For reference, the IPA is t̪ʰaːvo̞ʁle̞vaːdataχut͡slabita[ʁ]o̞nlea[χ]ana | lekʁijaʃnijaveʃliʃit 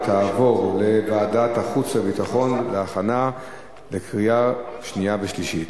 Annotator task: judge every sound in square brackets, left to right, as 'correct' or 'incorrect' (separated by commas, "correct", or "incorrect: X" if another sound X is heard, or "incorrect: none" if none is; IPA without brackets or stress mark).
incorrect: χ, correct